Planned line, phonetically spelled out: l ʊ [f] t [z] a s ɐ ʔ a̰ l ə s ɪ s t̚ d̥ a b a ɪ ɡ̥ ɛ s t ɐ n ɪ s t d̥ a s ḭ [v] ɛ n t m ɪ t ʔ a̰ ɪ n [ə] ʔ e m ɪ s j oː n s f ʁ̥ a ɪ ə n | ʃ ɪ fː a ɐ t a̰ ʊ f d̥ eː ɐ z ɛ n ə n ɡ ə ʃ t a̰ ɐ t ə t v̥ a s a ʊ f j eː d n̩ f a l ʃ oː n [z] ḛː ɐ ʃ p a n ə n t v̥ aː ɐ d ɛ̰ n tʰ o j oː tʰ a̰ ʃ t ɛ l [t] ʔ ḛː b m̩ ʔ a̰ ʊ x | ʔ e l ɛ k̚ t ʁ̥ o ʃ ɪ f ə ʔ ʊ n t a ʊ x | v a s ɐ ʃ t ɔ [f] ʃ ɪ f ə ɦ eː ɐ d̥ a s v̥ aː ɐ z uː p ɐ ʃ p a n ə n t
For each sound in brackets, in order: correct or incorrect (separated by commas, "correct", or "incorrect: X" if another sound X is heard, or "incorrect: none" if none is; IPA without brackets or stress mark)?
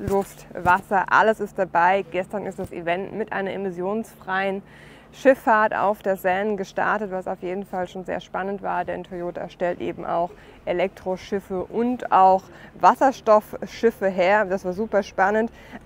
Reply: correct, incorrect: v, correct, incorrect: ɐ, correct, correct, correct